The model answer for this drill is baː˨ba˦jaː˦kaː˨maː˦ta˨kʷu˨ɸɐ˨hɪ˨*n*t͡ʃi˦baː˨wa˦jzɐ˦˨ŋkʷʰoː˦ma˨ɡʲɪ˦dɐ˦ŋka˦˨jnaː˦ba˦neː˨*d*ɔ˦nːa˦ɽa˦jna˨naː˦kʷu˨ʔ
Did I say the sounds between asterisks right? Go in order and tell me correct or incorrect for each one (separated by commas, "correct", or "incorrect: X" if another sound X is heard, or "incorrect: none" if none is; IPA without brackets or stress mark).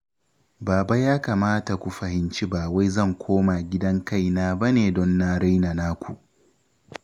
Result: correct, correct